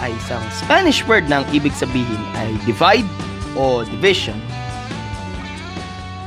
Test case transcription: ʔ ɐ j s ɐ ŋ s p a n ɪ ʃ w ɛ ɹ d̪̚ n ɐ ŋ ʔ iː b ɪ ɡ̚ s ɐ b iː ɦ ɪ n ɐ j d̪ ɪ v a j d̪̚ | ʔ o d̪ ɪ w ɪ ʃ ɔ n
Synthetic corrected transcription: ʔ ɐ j s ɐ ŋ s p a n ɪ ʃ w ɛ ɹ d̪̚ n ɐ ŋ ʔ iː b ɪ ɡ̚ s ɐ b iː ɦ ɪ n ɐ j d̪ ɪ v a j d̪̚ | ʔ o d̪ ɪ v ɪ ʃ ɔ n